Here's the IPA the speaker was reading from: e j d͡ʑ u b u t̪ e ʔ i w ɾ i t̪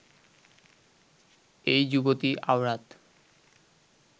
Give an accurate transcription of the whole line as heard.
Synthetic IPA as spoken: e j d͡ʑ u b o t̪ i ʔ a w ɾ a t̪